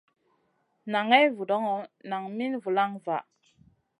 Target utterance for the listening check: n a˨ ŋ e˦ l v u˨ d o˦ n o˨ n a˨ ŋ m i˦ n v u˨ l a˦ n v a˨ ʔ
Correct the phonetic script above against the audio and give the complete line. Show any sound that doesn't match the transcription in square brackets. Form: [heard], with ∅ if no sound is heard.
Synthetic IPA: n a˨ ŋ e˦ [∅] v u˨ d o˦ [ŋ] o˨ n a˨ ŋ m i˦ n v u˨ l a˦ [ŋ] v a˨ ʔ